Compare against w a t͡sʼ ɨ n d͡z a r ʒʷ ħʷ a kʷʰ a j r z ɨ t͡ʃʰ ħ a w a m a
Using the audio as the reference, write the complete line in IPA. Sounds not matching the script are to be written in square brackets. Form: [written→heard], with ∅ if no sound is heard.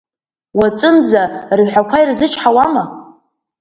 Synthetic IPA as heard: w a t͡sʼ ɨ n d͡z a r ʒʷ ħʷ a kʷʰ a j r z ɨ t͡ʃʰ ħ a w a m a